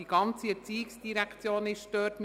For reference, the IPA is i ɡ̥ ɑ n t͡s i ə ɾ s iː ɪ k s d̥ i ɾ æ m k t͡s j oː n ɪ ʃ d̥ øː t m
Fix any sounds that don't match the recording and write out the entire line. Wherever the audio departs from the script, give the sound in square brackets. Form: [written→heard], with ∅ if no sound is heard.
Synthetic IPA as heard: i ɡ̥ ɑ n t͡s i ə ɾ [s→t͡s] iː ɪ k s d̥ i ɾ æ [m→∅] k t͡s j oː n ɪ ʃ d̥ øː t m